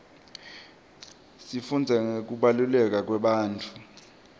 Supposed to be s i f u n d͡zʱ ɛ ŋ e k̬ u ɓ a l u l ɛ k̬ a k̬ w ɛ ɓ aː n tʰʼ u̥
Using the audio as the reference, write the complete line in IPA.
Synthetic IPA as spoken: s i f u n d͡zʱ ɛ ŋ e k̬ u ɓ a l u l ɛ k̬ a k̬ w ɛ ɓ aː n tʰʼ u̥